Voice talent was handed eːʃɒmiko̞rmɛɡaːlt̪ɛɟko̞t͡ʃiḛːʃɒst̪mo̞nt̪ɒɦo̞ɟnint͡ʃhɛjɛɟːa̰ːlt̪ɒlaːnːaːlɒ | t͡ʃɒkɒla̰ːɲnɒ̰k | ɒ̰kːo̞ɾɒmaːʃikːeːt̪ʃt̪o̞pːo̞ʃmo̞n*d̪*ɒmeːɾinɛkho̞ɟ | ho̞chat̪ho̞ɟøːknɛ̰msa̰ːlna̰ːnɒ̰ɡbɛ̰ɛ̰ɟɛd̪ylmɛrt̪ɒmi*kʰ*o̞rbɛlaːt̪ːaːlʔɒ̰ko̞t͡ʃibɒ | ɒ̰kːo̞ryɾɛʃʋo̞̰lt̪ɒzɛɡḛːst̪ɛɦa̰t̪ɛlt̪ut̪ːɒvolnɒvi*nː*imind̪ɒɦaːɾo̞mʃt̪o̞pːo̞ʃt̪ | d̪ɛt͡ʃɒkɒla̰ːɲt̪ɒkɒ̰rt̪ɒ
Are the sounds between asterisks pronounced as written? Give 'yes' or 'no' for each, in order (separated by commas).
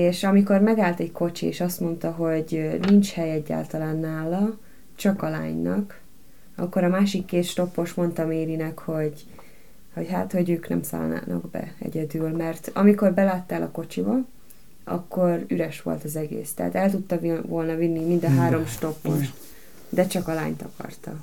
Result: no, no, yes